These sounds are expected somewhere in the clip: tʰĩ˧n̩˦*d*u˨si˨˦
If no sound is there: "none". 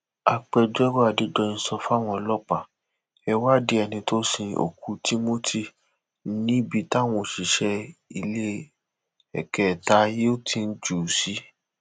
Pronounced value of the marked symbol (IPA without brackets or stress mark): d͡ʒ